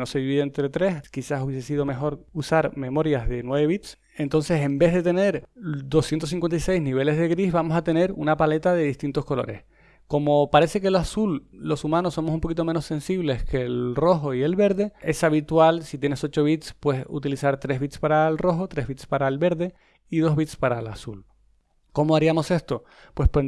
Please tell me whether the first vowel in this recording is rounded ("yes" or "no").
yes